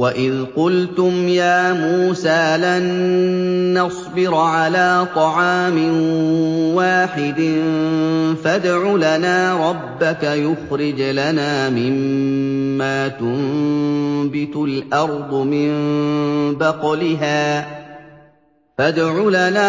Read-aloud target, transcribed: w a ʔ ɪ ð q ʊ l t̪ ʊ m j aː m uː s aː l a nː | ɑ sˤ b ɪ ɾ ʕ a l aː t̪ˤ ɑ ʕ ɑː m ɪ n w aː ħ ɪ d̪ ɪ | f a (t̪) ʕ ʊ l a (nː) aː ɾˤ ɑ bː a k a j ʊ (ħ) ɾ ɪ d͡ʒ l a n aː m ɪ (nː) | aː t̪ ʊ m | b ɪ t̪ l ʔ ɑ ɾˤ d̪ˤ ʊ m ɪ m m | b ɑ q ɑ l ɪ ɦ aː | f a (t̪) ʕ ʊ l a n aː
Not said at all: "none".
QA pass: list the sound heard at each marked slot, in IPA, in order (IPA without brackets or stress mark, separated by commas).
d̪, n, x, mː, d̪